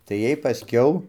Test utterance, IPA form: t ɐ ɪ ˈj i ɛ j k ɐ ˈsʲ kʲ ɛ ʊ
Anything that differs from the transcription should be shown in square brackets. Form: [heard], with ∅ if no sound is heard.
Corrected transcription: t ɐ ɪ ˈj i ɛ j [p] ɐ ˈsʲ kʲ ɛ ʊ